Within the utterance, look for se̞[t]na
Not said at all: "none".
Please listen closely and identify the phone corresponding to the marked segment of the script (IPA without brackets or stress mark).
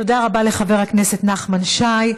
t